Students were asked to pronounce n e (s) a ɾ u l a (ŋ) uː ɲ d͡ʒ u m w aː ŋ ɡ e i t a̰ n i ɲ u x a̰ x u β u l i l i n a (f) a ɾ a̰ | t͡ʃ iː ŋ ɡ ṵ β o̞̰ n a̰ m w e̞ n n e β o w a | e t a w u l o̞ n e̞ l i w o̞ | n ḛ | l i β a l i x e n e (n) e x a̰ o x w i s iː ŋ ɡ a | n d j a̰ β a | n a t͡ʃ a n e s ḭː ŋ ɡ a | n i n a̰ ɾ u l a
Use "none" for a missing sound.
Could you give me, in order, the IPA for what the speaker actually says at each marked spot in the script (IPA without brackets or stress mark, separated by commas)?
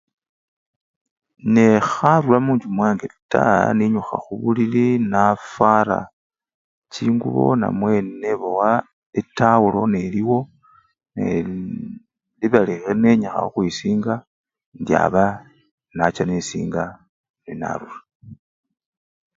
x, m, f, ɲ